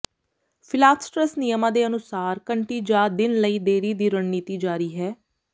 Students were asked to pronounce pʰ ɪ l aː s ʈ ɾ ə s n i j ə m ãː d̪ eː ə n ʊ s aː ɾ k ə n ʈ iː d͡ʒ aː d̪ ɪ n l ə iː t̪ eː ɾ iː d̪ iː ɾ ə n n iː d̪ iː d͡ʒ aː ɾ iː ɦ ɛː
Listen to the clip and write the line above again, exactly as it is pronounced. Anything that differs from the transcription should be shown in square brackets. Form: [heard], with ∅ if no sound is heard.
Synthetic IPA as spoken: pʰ ɪ l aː s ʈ ɾ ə s n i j ə m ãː d̪ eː ə n ʊ s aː ɾ k ə [ɳ] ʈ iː d͡ʒ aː d̪ ɪ n l ə iː [d̪] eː ɾ iː d̪ iː ɾ ə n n iː [t̪] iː d͡ʒ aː ɾ iː ɦ ɛː